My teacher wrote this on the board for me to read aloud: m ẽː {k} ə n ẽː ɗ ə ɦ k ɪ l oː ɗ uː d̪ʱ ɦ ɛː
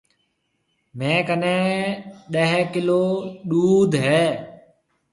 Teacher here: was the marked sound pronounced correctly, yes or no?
yes